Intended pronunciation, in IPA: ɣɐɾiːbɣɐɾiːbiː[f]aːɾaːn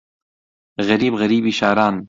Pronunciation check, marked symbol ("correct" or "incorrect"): incorrect